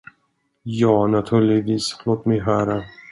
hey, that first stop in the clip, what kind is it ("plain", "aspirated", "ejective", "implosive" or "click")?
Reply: aspirated